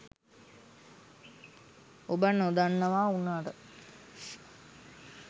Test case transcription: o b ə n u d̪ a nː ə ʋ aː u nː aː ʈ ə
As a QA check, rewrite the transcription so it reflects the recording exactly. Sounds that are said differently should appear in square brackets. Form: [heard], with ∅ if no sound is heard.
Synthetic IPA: o b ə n [o] d̪ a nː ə ʋ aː u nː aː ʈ ə